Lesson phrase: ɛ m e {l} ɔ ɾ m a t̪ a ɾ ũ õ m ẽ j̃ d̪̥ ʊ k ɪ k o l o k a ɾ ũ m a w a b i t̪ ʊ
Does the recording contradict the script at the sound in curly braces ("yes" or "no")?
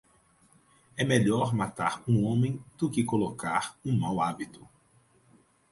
yes